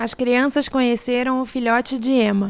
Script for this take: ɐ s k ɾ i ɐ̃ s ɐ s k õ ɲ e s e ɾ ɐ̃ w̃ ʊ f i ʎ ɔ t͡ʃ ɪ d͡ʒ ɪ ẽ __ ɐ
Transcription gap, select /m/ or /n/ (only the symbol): m